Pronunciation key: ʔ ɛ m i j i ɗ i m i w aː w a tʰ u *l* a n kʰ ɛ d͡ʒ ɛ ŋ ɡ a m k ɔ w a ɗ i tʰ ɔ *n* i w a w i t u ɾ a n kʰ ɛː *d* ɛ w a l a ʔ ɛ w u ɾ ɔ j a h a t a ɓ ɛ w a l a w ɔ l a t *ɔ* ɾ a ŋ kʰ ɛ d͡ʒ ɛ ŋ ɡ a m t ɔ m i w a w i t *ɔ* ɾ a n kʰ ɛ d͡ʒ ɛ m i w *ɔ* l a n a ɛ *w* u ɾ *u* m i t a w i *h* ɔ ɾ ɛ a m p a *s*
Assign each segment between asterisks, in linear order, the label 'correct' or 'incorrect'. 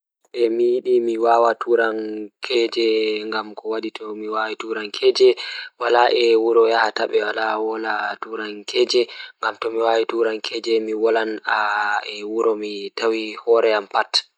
incorrect, incorrect, incorrect, incorrect, incorrect, correct, correct, incorrect, correct, incorrect

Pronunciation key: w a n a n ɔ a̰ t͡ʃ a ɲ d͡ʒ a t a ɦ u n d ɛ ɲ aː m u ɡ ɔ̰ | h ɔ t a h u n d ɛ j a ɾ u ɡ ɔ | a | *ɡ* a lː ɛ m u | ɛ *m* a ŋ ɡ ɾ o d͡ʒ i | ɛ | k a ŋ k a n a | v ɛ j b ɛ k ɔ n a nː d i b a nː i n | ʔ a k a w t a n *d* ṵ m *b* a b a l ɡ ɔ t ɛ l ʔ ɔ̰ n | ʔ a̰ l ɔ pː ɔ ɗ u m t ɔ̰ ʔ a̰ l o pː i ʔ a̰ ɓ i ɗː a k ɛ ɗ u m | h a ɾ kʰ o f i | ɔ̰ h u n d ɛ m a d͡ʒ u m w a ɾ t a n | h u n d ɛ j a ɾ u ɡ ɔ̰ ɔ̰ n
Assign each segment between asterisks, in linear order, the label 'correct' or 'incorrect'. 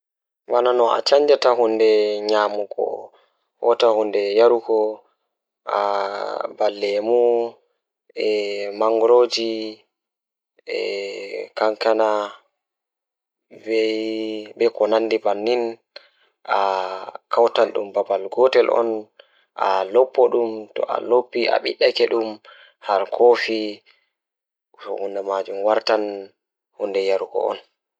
incorrect, correct, incorrect, correct

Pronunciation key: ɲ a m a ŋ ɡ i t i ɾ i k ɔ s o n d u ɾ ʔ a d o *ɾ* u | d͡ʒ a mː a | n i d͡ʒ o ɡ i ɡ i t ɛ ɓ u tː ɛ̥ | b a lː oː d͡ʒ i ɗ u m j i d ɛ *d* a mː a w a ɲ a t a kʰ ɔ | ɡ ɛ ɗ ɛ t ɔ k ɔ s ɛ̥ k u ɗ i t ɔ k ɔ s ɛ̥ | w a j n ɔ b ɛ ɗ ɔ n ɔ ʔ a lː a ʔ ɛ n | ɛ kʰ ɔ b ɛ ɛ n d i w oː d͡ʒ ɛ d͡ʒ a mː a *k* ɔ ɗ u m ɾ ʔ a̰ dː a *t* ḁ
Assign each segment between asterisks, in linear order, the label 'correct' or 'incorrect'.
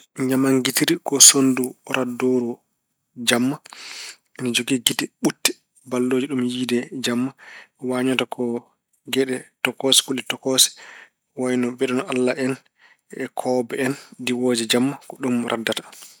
correct, incorrect, correct, correct

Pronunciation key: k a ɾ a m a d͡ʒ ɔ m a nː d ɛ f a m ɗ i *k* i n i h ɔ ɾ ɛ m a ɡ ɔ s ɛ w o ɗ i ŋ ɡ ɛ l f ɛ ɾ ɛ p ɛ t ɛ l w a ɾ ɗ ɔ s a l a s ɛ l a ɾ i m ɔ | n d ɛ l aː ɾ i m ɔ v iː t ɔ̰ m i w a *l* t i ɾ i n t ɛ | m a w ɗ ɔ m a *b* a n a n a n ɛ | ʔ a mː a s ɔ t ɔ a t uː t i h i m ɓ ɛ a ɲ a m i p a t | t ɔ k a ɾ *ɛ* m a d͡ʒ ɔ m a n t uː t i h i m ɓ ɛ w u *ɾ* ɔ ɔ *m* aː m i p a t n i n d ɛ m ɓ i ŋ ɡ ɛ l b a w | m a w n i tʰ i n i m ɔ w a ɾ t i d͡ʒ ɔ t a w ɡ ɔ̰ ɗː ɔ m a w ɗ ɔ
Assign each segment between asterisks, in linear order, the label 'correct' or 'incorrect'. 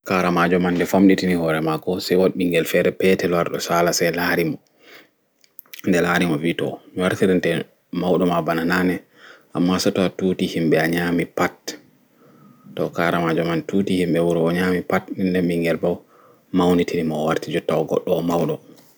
incorrect, incorrect, correct, incorrect, correct, incorrect

